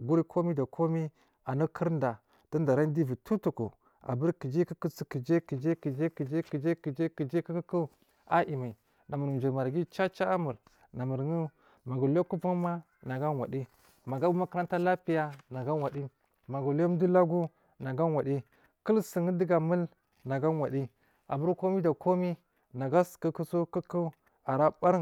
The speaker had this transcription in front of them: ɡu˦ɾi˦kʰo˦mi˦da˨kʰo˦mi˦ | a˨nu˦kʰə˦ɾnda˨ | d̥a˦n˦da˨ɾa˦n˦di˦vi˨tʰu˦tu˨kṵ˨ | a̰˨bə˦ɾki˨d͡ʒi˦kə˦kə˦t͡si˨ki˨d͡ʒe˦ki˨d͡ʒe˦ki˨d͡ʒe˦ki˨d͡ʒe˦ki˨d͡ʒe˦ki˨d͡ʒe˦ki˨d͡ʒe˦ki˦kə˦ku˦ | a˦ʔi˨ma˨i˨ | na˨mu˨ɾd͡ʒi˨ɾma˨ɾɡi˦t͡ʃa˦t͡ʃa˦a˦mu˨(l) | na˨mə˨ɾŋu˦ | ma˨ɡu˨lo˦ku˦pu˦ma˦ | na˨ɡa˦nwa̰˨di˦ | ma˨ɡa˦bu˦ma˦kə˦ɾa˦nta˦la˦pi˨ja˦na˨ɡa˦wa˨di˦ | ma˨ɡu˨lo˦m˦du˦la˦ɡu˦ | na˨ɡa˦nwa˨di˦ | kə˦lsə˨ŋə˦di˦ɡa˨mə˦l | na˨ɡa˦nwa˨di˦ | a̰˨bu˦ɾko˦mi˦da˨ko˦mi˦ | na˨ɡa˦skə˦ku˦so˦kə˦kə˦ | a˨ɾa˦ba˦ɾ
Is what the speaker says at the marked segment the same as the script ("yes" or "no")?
no